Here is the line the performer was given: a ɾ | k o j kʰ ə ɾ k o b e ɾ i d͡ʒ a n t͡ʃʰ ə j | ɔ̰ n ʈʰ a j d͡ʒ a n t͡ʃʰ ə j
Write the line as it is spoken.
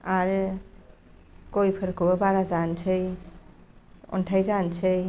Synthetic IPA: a ɾ | k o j pʰ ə ɾ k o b a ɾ a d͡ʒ a n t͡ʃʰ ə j | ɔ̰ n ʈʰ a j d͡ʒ a n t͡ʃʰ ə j